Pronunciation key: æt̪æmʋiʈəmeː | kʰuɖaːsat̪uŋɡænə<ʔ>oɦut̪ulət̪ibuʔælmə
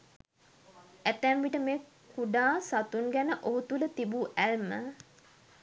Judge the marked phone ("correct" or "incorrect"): correct